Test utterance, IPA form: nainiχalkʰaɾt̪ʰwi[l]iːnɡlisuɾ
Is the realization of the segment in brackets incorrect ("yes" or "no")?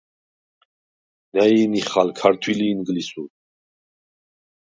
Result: no